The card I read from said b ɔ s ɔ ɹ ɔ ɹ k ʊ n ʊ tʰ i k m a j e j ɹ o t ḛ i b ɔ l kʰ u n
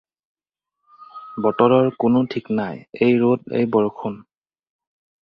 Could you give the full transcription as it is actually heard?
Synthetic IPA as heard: b ɔ t ɔ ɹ ɔ ɹ k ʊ n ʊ tʰ i k n a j e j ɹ o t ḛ j b ɔ ɹ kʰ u n